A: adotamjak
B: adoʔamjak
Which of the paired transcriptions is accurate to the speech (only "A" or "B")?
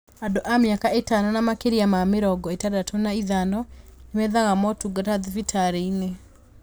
B